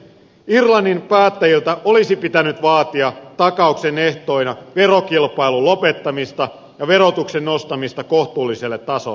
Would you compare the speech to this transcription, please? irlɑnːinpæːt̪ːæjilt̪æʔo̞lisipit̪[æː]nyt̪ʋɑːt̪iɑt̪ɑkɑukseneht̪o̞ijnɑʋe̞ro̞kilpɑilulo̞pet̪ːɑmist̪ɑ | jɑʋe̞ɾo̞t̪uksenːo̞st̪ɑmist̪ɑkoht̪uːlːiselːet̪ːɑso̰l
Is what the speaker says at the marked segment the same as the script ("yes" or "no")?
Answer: no